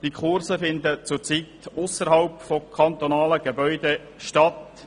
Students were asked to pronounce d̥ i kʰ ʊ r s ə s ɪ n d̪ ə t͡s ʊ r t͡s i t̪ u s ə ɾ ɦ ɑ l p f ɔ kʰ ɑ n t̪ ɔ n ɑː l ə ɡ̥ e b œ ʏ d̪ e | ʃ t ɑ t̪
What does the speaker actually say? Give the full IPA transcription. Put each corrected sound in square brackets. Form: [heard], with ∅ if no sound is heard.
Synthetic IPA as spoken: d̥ i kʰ ʊ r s ə [f] ɪ n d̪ ə t͡s ʊ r t͡s i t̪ [ʊ] s ə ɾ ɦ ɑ l p f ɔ kʰ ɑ n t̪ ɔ n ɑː l ə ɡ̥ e b œ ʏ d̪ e | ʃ t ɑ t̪